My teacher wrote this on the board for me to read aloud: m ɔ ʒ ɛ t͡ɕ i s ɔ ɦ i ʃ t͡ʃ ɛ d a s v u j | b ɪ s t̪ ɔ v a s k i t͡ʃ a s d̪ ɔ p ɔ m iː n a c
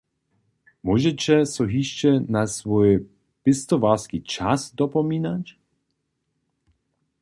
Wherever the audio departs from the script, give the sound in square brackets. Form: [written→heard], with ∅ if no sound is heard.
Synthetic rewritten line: m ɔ ʒ ɛ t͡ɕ [i→ɛ] s ɔ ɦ i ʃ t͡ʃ ɛ [d→n] a s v [u→ɔ] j | [b→p] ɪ s t̪ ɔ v a s k i t͡ʃ a s d̪ ɔ p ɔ m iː n a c

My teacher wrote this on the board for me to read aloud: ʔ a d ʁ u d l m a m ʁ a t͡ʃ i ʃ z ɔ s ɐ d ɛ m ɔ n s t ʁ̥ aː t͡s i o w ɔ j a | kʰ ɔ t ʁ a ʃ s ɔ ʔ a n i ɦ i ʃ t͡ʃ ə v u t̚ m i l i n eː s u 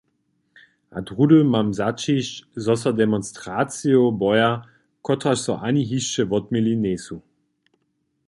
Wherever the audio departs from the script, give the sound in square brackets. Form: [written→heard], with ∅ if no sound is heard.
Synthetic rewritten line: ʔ a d ʁ u d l m a m [ʁ→z] a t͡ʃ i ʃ z ɔ s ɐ d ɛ m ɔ n s t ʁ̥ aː t͡s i o [w→b] ɔ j a | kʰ ɔ t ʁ a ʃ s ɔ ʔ a n i ɦ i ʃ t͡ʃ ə v [u→ɔ] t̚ m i l i n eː s u

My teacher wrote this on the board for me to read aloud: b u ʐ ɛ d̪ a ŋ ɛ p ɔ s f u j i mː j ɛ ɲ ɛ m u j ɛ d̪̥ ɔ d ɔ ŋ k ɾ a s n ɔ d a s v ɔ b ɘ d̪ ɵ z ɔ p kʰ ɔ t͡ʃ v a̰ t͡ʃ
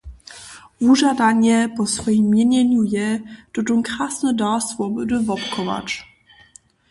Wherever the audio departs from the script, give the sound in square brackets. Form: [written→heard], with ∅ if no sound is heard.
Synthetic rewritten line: [b→v] u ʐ [ɛ→a] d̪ a [ŋ→ɲ] ɛ p ɔ s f [u→ɔ] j i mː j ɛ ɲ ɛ [m→ɲ] u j ɛ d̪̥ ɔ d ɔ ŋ k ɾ a s n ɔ d a s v ɔ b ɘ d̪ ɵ [z→v] ɔ p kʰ ɔ [t͡ʃ→∅] v a̰ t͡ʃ

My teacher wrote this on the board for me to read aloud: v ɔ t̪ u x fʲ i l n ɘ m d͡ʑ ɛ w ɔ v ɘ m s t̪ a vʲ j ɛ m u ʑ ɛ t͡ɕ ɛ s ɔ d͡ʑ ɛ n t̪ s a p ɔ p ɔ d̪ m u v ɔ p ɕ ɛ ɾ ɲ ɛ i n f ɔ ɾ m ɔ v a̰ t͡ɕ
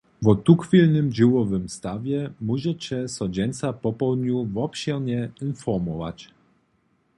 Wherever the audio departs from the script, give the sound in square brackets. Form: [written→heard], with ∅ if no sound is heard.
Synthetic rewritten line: v ɔ t̪ u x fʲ i l n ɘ m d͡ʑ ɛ w ɔ v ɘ m s t̪ a vʲ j ɛ m u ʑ ɛ t͡ɕ ɛ s ɔ d͡ʑ ɛ n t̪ s a p ɔ p ɔ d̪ [m→ɲ] u v ɔ p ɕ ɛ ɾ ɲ ɛ i n f ɔ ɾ m ɔ v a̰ t͡ɕ

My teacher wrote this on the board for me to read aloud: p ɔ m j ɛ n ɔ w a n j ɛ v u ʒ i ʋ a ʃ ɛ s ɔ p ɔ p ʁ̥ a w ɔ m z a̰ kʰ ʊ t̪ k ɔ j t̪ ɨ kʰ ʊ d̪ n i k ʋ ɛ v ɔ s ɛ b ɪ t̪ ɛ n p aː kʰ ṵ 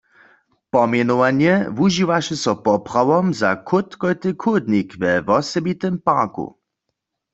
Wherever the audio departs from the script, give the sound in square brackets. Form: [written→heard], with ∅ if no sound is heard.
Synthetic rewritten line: p ɔ m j ɛ n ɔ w a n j ɛ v u ʒ i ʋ a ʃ ɛ s ɔ p ɔ p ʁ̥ a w ɔ m z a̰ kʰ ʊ t̪ k ɔ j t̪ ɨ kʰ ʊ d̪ n i k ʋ ɛ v ɔ s ɛ b [ɪ→i] t̪ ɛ [n→m] p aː [kʰ→k] ṵ

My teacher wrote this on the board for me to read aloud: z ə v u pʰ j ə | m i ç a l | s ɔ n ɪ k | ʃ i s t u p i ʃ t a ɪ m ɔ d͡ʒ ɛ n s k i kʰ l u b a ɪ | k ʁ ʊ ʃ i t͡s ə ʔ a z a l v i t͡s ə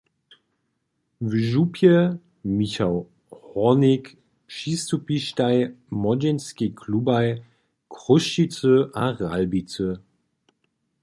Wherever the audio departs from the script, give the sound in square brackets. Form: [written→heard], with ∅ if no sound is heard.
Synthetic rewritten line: [z→v] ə [v→ʒ] u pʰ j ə | m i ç a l | [s→h] ɔ n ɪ k | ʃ i s t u p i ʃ t a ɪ m ɔ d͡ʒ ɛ n s k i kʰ l u b a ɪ | k ʁ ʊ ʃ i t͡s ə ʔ a [z→ʁ] a l [v→b] i t͡s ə

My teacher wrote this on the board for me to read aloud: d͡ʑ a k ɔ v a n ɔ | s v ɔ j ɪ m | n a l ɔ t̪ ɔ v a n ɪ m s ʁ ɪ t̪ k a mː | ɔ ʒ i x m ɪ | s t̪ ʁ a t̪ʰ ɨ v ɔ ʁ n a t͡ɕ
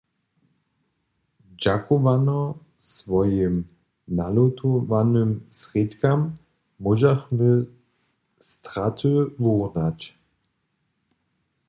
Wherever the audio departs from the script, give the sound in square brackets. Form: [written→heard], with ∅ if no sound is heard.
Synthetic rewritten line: d͡ʑ a k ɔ v a n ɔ | s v ɔ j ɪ m | n a l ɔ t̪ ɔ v a n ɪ m s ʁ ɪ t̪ k a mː | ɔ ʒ [i→a] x m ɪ | s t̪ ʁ a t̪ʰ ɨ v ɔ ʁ n a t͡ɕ

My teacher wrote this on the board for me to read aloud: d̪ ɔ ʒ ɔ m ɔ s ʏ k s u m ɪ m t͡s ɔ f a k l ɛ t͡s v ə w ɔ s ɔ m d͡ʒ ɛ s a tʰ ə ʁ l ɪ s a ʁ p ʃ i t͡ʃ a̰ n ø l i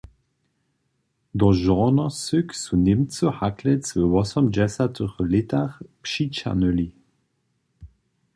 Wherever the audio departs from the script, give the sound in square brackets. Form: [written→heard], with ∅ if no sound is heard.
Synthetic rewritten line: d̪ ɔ ʒ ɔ [m→n] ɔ s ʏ k s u [m→n] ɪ m t͡s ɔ [f→h] a k l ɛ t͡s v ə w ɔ s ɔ m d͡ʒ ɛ s a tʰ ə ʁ l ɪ [s→t] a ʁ p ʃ i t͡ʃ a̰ n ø l i

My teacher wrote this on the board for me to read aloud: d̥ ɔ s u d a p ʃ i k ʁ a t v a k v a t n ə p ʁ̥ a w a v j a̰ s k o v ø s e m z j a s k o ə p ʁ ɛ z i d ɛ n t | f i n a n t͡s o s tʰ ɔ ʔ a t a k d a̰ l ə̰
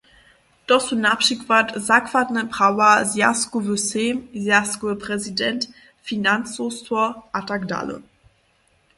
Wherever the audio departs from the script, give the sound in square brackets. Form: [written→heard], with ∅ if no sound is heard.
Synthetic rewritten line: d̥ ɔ s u [d→n] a p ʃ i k [ʁ→v] a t [v→z] a k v a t n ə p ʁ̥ a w a [v→z] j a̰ s k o v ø s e m z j a s k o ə p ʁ ɛ z i d ɛ n t | f i n a n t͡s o s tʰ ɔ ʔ a t a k d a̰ l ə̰

